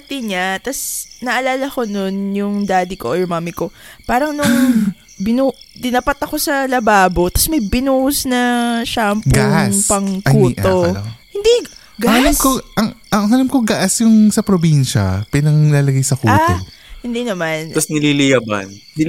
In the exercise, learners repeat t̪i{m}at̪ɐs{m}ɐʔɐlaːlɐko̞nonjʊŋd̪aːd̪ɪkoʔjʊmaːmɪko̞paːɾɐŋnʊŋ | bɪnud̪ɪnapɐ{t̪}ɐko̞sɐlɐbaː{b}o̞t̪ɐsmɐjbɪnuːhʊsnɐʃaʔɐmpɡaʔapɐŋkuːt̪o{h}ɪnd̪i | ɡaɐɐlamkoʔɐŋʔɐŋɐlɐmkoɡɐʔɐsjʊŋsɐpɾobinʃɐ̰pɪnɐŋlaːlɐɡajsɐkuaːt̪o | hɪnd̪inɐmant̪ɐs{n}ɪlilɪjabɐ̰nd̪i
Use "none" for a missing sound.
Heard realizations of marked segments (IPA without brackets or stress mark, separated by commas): ɲ, n, t̪, b, h, n